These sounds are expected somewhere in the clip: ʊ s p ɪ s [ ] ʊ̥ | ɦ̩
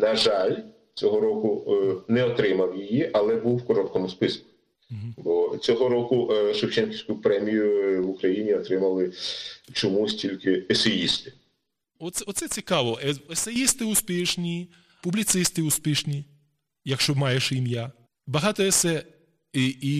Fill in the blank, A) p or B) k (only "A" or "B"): B